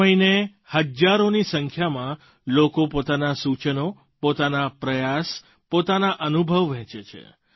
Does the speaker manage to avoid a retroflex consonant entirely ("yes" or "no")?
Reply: yes